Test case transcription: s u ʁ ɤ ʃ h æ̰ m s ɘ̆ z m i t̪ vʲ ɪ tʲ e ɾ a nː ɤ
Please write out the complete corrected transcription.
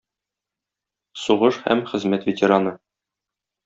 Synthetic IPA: s u ʁ ɤ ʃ h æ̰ m χ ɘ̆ z m æ t̪ vʲ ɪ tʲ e ɾ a n ɤ